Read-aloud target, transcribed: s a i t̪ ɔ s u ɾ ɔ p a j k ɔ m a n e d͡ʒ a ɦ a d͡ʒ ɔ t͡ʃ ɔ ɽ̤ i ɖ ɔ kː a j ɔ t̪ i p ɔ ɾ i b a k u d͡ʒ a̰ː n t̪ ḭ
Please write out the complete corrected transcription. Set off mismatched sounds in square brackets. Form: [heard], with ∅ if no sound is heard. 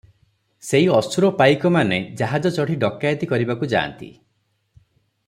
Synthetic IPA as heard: s [e] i [∅] ɔ s u ɾ ɔ p a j k ɔ m a n e d͡ʒ a ɦ a d͡ʒ ɔ t͡ʃ ɔ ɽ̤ i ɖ ɔ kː a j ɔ t̪ i [k] ɔ ɾ i b a k u d͡ʒ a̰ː n t̪ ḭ